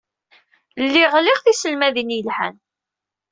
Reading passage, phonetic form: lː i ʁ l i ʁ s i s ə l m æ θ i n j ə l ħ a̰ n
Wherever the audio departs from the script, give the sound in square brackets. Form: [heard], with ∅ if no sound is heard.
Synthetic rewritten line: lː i ʁ l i ʁ [θ] i s ə l m æ [ð] i n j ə l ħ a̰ n